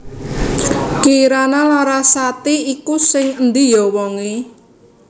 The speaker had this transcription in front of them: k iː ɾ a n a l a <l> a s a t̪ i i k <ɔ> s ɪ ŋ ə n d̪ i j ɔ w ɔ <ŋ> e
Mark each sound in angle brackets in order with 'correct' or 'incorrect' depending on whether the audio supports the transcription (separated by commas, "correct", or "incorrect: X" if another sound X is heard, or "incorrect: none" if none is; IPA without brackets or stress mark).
incorrect: ɾ, incorrect: u, correct